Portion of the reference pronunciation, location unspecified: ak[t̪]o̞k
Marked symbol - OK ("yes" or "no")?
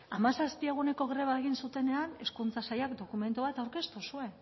no